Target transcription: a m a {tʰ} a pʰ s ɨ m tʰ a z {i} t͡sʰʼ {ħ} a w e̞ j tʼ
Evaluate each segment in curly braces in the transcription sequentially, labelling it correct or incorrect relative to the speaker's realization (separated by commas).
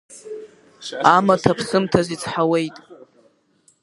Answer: correct, correct, correct